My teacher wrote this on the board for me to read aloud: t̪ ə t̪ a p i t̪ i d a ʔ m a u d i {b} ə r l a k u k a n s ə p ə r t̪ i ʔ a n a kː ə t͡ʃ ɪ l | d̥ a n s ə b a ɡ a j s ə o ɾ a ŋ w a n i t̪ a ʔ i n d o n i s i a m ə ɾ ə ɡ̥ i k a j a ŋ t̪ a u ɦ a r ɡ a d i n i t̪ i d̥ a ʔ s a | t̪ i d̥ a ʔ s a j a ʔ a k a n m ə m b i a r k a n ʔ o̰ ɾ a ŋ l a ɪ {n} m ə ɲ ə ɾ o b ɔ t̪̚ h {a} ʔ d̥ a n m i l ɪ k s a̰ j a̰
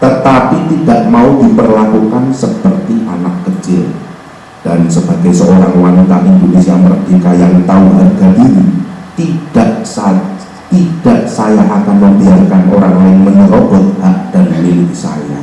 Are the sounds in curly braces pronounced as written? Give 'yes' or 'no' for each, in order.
no, no, yes

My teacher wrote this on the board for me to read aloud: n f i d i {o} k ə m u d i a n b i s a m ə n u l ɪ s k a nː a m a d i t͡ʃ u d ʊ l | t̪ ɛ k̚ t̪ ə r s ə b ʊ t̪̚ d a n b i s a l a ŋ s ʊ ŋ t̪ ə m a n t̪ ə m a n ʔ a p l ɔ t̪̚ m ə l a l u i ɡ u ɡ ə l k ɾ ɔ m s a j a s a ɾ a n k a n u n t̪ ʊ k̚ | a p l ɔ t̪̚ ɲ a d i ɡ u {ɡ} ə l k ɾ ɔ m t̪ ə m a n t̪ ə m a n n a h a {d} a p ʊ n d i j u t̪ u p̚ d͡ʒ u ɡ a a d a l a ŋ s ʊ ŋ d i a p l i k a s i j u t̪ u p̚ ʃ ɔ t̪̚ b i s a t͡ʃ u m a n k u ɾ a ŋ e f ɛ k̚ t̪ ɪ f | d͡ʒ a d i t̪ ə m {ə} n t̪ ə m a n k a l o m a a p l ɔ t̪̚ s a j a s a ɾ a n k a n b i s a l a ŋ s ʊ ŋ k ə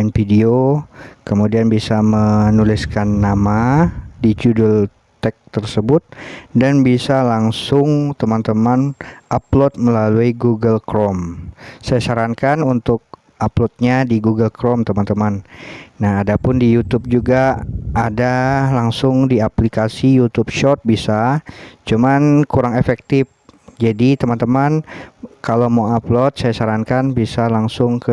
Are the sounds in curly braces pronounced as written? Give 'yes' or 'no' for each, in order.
yes, yes, yes, no

